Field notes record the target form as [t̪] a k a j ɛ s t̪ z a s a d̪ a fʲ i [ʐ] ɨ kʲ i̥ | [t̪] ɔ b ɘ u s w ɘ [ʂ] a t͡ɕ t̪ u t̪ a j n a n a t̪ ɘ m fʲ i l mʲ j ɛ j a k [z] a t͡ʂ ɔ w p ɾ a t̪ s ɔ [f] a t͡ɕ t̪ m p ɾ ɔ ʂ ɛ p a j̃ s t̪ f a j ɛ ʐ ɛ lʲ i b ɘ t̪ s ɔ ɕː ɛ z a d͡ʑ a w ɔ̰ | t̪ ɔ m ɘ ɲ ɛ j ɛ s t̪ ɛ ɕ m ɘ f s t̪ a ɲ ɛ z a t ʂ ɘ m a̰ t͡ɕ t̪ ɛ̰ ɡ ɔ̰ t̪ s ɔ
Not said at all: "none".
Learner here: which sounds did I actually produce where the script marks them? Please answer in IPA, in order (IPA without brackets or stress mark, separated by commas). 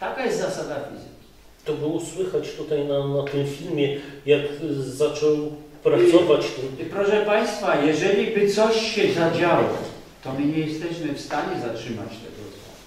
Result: t̪, z, t̪, x, z, v